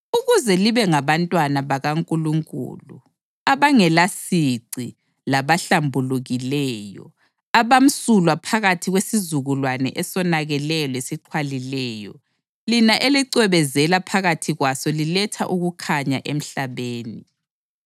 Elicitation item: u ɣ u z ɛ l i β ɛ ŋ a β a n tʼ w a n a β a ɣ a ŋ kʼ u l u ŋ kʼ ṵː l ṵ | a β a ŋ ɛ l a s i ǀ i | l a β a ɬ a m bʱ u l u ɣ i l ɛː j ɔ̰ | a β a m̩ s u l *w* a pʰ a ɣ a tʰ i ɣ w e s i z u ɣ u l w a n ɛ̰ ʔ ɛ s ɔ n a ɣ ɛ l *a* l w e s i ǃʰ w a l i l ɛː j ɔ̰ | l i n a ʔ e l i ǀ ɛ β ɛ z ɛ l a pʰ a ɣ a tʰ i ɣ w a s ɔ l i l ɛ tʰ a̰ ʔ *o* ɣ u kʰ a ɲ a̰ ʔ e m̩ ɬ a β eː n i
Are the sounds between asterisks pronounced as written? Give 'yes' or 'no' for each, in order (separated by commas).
yes, no, no